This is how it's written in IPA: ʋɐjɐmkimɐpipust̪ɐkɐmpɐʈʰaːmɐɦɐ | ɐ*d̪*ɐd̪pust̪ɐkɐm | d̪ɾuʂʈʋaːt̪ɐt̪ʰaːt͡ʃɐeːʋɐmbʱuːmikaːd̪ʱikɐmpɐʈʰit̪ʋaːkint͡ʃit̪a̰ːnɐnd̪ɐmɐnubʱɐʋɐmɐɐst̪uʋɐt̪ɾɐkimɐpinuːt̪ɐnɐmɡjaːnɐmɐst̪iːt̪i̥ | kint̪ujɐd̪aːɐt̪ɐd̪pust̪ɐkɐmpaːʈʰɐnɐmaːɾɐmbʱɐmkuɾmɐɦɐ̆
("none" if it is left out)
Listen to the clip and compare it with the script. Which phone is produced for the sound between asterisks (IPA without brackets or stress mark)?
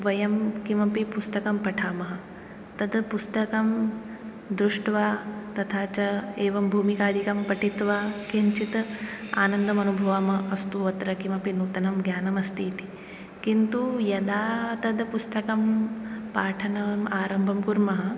t̪